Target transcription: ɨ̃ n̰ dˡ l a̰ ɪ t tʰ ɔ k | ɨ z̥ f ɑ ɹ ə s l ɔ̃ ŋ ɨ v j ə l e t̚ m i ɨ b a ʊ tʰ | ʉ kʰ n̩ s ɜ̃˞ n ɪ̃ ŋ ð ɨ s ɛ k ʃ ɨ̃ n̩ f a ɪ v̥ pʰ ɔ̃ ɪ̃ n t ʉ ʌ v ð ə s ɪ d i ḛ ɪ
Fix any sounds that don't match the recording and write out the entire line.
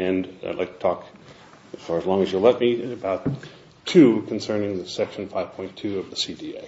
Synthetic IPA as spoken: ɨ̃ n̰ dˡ l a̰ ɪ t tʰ ɔ k | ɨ z̥ f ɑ ɹ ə z l ɔ̃ ŋ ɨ z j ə l ɛ t̚ m i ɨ b a ʊ tʰ | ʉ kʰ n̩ s ɜ̃˞ n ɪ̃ ŋ ð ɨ s ɛ k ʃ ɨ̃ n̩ f a ɪ v̥ pʰ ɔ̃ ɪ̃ n tʰ ʉ ʌ v ð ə s i d i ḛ ɪ